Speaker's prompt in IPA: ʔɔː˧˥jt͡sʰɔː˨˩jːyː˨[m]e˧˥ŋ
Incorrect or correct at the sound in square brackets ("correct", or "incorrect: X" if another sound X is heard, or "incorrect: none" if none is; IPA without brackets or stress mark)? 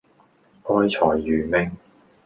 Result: correct